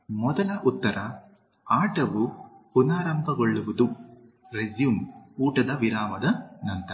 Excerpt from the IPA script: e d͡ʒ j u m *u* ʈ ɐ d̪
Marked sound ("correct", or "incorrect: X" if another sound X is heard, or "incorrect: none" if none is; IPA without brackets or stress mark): incorrect: uː